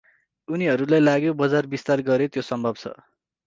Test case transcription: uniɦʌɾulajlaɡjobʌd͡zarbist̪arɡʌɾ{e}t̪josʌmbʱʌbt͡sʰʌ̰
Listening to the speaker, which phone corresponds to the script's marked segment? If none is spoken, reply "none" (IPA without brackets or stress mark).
e